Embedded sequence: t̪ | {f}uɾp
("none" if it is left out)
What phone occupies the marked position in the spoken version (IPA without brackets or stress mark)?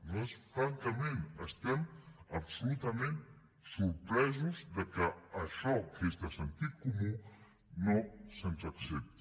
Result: s